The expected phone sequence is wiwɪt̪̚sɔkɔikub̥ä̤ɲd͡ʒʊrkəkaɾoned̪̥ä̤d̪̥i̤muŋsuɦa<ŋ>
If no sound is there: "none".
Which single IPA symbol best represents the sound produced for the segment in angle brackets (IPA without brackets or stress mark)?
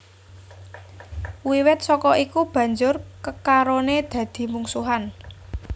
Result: n